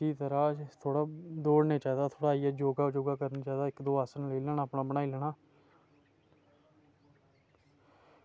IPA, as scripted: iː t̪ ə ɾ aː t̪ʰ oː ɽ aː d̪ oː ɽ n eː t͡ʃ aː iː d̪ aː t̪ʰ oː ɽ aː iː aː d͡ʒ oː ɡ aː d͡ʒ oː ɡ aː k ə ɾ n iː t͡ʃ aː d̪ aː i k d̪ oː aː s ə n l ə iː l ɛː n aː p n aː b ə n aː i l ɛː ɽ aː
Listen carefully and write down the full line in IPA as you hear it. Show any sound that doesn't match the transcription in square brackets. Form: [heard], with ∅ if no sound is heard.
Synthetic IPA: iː t̪ ə ɾ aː t̪ʰ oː ɽ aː d̪ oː ɽ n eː t͡ʃ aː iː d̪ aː t̪ʰ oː ɽ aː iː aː d͡ʒ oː ɡ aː d͡ʒ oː ɡ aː k ə ɾ n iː t͡ʃ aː d̪ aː [ɪ] k d̪ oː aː s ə n l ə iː l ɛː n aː p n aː b ə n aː i l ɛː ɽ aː